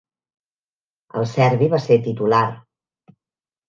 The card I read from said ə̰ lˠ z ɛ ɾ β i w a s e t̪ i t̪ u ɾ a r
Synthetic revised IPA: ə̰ lˠ s ɛ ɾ β i β a s e t̪ i t̪ u l a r